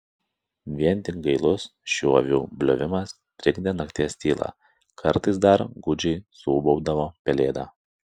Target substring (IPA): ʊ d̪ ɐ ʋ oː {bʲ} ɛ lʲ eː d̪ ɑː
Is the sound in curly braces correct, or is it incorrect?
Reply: incorrect